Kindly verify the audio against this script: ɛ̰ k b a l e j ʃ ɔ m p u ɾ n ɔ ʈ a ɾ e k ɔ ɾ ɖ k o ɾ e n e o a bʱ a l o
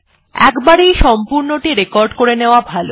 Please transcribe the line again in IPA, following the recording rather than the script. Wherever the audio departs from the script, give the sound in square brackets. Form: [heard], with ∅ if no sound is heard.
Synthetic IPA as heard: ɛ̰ k b a [ɾ] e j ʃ ɔ m p u ɾ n [o] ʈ [i] ɾ e k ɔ ɾ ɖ k o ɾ e n e o a bʱ a l o